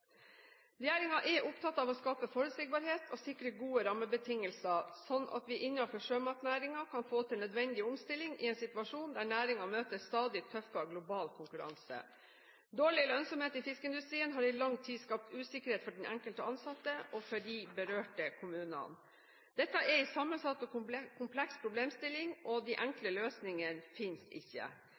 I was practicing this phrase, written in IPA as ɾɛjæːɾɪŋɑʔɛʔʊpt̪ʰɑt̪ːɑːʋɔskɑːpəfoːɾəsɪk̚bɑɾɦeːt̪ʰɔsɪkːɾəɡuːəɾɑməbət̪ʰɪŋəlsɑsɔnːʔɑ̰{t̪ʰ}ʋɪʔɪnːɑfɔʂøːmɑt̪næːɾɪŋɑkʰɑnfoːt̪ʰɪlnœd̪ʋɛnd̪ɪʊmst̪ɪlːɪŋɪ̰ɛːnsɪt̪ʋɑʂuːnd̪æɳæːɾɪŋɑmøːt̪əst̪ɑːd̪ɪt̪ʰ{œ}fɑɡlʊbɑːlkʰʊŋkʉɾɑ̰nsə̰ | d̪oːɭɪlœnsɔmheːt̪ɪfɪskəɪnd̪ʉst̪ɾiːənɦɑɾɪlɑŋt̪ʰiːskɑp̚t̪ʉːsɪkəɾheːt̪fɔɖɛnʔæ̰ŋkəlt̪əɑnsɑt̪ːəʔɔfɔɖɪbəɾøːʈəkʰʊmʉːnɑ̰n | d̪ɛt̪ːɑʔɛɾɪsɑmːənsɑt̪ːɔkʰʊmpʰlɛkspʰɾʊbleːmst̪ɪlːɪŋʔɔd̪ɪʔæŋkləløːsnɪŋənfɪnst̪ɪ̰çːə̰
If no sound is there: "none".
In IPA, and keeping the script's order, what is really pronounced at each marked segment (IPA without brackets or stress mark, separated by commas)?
t̪, œ